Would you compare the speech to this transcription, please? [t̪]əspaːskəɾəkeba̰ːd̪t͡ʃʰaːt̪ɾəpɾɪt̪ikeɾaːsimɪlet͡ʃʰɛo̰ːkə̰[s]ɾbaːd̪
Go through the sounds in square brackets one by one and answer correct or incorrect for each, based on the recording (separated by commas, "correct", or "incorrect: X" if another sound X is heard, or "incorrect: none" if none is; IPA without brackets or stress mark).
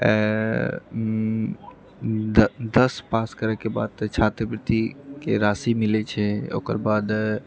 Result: incorrect: d̪, incorrect: none